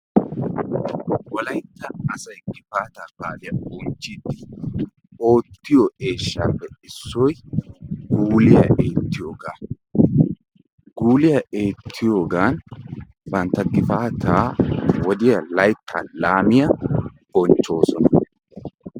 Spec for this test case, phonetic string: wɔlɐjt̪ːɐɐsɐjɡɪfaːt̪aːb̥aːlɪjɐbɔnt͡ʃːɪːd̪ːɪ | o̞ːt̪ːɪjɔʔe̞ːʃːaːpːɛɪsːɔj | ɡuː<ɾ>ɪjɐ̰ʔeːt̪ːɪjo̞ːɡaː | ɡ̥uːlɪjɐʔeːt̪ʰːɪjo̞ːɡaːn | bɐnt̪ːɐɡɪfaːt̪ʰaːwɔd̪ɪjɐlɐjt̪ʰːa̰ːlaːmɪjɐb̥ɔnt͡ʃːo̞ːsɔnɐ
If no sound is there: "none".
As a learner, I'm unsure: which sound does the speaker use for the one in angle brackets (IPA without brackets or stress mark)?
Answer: l